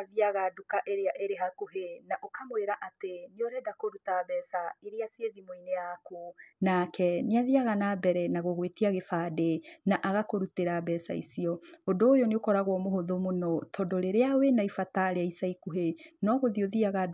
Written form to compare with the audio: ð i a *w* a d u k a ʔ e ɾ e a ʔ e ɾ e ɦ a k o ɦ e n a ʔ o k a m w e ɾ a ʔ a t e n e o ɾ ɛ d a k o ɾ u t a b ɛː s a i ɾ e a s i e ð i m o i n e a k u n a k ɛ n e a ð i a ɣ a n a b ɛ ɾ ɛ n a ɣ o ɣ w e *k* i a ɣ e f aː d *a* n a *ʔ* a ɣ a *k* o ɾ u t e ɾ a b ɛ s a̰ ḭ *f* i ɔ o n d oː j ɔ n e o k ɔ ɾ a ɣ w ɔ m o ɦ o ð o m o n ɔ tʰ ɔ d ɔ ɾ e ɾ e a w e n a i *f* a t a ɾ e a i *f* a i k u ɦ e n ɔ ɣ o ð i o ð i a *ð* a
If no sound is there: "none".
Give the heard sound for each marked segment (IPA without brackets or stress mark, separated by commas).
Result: ɣ, t, e, ʔ, k, s, f, s, ɣ